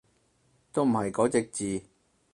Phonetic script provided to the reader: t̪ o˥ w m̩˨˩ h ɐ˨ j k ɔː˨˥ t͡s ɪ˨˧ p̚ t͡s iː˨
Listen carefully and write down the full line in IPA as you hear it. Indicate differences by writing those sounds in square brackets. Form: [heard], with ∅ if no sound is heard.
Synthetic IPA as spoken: t̪ o˥ w m̩˨˩ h ɐ˨ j k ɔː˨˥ t͡s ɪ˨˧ [k̚] t͡s iː˨